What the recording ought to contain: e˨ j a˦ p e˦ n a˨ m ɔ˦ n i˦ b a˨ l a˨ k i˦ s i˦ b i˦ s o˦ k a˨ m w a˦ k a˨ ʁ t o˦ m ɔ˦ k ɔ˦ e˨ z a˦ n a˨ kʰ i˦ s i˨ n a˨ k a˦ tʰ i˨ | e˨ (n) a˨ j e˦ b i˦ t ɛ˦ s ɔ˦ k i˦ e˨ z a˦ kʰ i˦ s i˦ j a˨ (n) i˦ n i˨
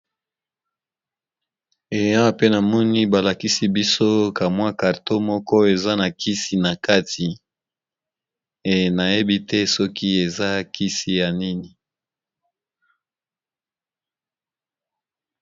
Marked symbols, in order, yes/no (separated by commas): yes, yes